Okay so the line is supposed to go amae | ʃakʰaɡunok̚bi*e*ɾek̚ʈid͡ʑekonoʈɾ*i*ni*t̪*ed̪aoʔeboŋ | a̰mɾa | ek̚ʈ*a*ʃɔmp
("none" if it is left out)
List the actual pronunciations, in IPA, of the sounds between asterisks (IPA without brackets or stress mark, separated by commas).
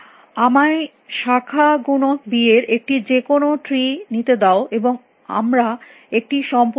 e, i, t̪, i